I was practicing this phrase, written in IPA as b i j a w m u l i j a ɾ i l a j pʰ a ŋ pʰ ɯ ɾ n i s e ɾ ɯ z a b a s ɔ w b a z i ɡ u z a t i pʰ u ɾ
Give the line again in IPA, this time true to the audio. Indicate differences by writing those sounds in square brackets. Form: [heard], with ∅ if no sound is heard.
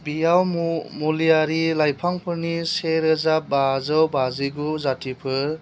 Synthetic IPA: b i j a w m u l i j a ɾ i l a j pʰ a ŋ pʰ ɯ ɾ n i s e ɾ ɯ z a b a [z] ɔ w b a z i ɡ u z a t i pʰ [ɯ] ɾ